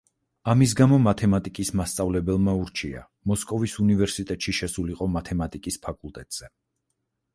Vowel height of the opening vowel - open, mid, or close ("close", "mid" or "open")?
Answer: open